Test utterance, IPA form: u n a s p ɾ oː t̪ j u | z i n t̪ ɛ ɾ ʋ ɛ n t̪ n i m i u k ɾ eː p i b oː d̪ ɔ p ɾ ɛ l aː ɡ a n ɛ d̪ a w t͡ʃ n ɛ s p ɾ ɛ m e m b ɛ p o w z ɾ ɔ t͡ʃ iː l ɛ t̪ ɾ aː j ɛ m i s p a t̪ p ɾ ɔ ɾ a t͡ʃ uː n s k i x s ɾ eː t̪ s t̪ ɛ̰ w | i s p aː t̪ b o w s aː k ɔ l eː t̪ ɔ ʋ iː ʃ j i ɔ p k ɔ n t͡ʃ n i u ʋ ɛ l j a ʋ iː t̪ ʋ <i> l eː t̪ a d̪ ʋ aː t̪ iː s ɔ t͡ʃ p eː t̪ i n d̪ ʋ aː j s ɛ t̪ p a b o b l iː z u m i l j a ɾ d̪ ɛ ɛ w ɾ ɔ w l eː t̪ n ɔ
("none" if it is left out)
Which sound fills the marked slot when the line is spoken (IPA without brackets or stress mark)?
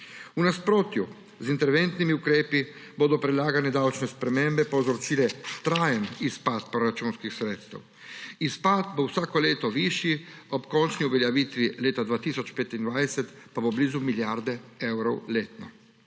i